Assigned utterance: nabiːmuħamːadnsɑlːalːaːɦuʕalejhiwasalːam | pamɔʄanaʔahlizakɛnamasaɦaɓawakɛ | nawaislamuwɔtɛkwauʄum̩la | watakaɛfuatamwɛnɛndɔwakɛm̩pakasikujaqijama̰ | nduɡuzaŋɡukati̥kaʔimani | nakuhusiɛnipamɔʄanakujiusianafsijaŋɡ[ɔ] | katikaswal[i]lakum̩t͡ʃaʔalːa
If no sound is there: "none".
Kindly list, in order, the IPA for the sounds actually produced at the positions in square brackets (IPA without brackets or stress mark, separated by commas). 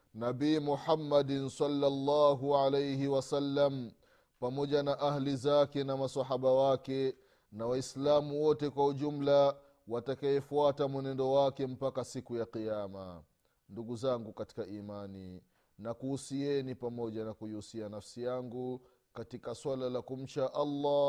u, a